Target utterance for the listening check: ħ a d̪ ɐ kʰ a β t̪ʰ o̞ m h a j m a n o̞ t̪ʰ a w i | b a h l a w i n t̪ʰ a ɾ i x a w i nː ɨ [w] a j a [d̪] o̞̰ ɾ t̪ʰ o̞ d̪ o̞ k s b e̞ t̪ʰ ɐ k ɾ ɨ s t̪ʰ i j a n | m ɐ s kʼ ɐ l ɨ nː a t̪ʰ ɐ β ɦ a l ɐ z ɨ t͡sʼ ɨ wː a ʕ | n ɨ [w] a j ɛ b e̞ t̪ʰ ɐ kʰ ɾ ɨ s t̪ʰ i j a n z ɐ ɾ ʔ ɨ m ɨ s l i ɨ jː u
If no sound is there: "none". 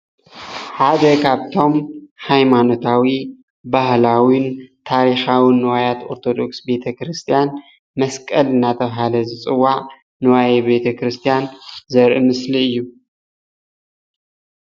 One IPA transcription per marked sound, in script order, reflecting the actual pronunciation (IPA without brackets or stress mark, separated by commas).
w, t̪, w